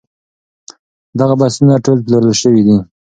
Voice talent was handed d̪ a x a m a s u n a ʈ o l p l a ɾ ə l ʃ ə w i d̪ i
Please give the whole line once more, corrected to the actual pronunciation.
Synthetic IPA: d̪ a ɣ a b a s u n a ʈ o l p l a ɾ ə l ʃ ə w i d̪ i